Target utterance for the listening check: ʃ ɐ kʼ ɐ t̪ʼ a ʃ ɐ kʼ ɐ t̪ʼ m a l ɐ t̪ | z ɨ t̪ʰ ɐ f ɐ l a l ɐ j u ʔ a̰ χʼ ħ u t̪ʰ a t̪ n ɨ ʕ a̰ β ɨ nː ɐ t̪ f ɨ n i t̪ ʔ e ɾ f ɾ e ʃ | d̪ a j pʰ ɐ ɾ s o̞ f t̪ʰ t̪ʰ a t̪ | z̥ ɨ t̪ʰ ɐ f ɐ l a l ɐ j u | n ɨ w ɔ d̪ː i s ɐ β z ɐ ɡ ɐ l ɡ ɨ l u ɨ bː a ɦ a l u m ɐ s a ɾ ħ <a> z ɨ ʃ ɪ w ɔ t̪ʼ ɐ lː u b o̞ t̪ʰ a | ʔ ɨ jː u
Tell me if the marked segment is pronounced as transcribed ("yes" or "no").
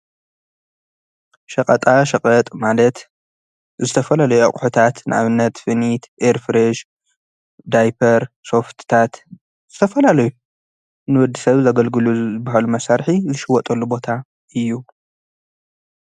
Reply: no